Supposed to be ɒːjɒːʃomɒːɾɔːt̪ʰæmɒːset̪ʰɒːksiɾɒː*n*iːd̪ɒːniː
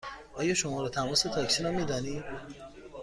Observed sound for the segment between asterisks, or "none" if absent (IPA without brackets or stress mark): m